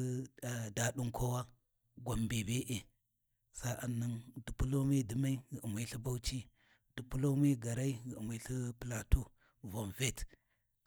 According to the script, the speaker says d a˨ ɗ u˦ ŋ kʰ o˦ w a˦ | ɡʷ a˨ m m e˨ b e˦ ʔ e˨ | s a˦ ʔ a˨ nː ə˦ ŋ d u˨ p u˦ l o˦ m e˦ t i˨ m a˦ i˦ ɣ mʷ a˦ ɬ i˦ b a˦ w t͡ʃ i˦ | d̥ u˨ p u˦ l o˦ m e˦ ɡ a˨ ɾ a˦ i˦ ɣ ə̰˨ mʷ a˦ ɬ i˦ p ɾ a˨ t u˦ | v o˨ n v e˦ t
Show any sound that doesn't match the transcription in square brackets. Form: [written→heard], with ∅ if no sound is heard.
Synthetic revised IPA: d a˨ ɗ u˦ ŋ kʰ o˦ w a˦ | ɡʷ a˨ m [m→b] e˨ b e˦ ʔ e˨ | s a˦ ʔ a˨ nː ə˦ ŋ d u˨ p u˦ l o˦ m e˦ [t→d] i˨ m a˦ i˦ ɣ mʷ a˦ ɬ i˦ b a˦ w t͡ʃ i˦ | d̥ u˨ p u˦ l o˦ m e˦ ɡ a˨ ɾ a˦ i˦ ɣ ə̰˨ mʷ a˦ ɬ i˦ p [ɾ→l] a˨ t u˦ | v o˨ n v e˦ t